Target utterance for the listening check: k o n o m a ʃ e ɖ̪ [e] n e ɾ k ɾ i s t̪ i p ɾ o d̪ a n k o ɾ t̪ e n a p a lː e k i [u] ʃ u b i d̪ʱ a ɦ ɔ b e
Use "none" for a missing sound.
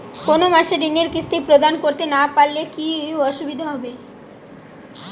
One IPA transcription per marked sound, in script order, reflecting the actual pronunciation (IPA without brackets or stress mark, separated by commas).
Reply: i, ɔ